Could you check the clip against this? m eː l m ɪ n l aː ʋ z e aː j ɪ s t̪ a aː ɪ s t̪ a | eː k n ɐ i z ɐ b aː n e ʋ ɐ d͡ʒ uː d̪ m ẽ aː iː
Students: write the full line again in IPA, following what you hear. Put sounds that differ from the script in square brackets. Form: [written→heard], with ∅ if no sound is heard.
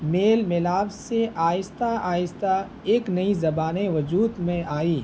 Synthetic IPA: m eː l m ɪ [n→∅] l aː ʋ [z→s] e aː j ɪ s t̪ a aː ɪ s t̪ a | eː k n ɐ i z ɐ b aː n e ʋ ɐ d͡ʒ uː d̪ m ẽ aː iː